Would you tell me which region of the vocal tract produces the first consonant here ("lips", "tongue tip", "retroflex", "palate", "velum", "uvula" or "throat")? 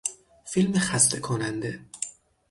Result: lips